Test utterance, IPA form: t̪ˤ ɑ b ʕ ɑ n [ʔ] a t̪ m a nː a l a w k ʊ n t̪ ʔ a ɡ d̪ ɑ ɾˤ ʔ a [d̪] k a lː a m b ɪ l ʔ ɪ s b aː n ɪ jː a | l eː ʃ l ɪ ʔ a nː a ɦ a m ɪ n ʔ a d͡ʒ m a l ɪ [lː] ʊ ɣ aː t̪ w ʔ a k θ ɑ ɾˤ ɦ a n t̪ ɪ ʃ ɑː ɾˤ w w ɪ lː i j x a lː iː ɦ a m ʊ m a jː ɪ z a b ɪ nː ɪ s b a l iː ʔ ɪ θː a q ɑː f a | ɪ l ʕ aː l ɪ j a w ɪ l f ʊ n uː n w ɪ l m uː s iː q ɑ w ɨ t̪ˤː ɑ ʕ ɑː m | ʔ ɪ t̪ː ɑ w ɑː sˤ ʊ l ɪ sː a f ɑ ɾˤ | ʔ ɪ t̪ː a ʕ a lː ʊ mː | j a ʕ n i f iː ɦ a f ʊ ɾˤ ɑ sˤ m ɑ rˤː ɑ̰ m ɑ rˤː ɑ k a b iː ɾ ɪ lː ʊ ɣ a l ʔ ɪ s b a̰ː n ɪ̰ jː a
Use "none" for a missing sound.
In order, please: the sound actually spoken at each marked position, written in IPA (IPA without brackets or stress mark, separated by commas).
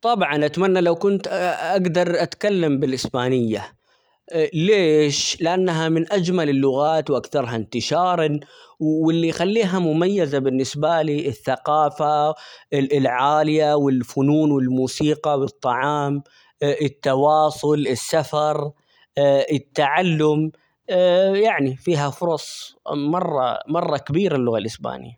ʔ, t̪, lː